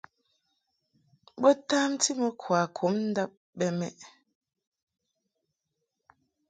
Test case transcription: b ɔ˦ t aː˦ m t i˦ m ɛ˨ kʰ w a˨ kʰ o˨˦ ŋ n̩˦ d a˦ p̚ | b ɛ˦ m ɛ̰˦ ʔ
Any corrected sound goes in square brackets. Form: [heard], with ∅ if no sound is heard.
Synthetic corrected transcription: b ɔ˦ t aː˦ m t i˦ m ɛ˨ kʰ w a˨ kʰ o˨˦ [m] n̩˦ d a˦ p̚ | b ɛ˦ m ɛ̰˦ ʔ